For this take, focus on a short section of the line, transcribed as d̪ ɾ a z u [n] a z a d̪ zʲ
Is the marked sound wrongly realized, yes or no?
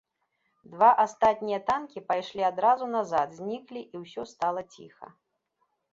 no